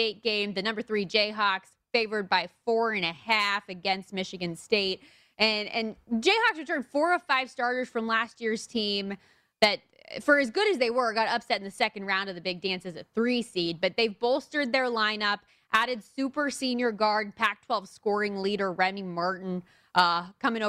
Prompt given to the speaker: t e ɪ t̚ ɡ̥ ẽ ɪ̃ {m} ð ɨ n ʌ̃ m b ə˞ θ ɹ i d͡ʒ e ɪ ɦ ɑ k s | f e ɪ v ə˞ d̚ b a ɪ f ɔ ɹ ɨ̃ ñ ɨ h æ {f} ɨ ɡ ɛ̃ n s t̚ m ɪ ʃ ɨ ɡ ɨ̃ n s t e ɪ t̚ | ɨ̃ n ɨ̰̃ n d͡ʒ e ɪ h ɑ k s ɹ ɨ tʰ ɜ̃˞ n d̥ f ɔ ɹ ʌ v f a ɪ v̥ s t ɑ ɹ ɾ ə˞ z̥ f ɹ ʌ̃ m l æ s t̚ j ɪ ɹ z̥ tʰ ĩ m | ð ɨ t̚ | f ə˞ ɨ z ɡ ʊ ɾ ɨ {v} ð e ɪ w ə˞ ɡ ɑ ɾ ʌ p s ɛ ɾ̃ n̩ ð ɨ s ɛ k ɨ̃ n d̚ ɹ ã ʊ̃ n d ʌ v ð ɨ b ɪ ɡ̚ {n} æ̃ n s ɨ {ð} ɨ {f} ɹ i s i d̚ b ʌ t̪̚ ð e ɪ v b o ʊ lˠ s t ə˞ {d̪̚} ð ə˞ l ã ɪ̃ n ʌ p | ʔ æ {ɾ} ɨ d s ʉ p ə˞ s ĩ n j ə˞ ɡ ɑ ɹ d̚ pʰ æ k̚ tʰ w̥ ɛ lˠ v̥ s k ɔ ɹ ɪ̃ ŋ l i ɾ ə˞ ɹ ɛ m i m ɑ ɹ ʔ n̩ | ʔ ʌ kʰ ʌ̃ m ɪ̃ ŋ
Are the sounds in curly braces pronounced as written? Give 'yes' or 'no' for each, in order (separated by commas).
yes, yes, no, no, no, no, yes, yes